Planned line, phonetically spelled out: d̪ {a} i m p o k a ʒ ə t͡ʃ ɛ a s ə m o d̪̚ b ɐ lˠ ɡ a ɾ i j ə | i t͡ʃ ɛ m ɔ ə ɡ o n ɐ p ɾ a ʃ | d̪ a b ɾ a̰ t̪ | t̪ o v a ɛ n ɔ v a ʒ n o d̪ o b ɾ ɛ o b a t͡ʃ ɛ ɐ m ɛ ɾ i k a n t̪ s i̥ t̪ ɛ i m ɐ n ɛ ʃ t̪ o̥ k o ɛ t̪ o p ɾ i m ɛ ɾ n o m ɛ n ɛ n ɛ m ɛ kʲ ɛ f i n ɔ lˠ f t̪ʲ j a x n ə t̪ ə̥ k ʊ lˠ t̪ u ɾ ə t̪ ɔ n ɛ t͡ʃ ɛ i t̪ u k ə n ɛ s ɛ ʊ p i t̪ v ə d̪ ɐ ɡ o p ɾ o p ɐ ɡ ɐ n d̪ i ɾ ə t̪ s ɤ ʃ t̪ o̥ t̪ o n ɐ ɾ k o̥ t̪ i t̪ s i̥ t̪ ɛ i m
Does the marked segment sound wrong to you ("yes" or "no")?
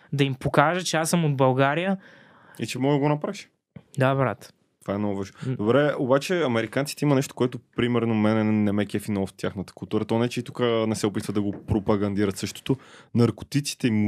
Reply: yes